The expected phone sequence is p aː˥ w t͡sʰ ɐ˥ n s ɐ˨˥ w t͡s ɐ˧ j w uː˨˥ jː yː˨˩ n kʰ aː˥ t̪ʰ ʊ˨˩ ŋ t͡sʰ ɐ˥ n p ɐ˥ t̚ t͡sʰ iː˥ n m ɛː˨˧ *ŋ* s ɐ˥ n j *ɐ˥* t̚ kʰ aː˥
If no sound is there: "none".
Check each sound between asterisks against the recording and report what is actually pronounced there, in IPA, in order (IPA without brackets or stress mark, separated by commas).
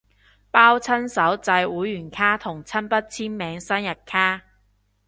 ŋ, ɐ˨˩